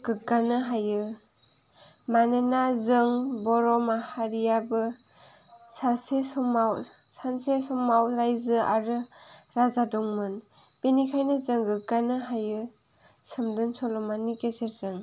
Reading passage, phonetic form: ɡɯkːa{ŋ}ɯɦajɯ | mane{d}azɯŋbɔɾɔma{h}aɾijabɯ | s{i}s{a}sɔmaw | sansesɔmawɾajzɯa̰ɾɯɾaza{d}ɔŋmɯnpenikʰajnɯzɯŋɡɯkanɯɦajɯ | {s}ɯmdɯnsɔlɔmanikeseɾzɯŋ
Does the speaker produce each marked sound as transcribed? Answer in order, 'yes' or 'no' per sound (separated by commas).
no, no, yes, no, no, yes, yes